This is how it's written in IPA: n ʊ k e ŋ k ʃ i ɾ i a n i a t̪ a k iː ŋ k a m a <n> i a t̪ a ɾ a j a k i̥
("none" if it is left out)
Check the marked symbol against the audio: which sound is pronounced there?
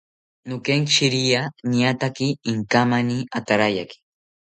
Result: n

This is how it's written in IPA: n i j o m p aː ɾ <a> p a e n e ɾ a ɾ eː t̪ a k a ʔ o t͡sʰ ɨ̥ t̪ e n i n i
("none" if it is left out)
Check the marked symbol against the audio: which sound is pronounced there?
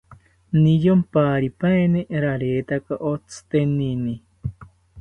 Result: i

